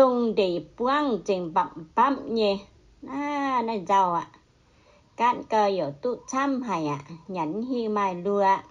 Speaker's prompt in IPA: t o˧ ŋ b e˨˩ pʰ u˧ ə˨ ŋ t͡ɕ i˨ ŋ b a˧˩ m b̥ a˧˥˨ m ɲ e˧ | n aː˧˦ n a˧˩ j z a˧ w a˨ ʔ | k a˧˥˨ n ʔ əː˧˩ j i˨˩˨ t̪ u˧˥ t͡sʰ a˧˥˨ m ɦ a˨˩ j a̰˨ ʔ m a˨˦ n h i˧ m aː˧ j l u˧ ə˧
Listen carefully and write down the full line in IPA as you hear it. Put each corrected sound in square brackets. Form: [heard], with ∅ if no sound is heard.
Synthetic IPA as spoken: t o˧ ŋ [d] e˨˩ [p] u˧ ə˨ ŋ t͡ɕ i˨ ŋ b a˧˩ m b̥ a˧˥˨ m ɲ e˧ | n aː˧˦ n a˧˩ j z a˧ w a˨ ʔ | k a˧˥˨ n [k] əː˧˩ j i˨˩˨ t̪ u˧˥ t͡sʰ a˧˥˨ m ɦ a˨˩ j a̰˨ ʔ [ɲ] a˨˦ n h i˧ m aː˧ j l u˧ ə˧